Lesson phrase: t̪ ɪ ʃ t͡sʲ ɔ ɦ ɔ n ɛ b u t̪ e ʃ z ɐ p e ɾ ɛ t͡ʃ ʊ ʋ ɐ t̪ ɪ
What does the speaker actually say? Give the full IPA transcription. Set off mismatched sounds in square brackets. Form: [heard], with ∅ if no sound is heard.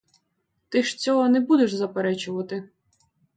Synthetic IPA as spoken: t̪ ɪ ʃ t͡sʲ ɔ ɦ ɔ n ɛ b u [d̪] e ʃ z ɐ p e ɾ ɛ t͡ʃ ʊ ʋ ɐ t̪ ɪ